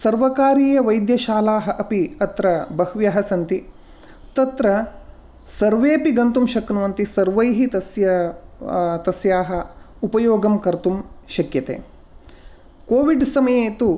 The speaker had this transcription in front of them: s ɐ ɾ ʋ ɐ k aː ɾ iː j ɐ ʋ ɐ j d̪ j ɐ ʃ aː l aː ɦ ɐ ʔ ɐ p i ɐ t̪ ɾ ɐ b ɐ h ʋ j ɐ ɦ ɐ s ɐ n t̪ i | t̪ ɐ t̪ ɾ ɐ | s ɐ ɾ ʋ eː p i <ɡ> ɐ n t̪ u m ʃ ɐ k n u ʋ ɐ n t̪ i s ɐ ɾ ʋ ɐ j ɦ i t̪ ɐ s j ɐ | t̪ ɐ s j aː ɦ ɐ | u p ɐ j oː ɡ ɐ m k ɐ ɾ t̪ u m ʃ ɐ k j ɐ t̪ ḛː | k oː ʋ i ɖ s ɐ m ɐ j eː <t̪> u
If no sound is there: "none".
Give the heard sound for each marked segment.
ɡ, t̪

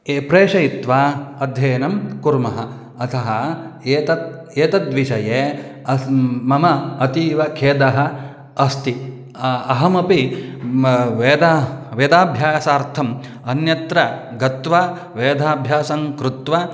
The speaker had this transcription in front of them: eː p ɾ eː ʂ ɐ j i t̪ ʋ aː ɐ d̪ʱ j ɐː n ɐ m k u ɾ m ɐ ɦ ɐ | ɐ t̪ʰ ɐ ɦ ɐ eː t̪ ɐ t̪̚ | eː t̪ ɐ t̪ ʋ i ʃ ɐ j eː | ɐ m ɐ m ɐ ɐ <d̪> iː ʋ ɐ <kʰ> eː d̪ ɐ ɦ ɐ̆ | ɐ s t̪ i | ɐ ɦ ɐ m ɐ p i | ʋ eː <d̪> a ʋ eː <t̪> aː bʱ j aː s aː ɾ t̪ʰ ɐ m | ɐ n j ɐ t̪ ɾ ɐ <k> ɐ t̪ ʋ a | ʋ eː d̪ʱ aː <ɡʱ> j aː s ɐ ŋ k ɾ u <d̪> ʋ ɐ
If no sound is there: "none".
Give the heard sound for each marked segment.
t̪, kʰ, d̪, d̪, ɡ, bʱ, t̪

